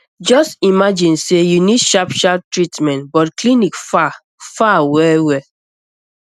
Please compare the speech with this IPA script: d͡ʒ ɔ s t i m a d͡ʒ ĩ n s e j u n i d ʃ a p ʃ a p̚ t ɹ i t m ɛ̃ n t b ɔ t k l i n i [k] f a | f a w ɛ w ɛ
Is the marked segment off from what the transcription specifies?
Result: no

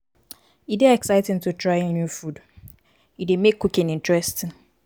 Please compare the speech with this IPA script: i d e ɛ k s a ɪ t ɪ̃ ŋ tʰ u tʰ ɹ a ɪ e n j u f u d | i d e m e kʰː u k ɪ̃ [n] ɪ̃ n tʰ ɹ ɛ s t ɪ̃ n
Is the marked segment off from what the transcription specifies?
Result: no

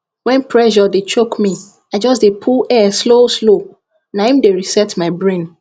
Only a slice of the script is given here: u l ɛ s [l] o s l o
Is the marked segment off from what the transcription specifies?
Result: no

